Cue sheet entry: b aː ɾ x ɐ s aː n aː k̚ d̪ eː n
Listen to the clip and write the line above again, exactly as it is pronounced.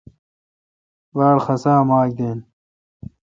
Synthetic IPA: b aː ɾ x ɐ s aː m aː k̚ d̪ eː n